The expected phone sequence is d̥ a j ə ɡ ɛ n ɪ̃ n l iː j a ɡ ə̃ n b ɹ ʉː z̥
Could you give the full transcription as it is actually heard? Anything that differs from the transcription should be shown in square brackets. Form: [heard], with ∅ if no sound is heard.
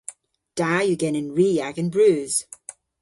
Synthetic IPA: d̥ a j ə ɡ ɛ n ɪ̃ n [ɹ] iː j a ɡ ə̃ n b ɹ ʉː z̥